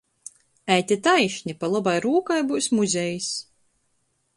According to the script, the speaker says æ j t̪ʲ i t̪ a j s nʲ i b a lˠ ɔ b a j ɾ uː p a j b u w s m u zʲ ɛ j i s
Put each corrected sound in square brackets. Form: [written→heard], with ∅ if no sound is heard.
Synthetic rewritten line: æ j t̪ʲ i t̪ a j [s→ʃ] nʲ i [b→p] a lˠ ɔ b a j ɾ uː [p→k] a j b u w s m u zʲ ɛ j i s